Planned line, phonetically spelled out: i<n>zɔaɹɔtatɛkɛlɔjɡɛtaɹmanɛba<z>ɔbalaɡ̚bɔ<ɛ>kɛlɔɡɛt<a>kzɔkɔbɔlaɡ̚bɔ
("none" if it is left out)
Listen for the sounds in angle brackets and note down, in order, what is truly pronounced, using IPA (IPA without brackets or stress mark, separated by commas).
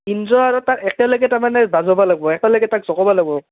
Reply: n, z, ɛ, a